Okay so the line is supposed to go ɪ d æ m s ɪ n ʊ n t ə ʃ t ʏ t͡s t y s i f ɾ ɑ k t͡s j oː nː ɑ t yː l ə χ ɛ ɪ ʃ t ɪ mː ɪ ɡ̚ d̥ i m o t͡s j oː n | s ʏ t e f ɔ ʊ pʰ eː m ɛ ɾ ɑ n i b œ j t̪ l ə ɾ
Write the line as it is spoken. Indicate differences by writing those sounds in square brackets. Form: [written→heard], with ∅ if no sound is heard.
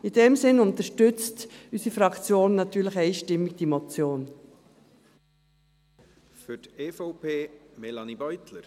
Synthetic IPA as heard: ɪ d [æ→ɛ] m s ɪ n ʊ n t ə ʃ t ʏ t͡s t y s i f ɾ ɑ k t͡s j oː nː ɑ t yː l ə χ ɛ ɪ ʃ t ɪ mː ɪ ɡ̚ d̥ i m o t͡s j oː n | [s→f] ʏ t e f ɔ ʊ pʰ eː m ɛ [ɾ→l] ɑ n i b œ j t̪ l ə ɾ